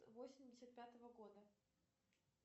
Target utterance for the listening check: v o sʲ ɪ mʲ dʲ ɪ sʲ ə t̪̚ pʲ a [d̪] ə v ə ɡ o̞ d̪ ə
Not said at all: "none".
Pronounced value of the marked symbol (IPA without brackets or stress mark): t̪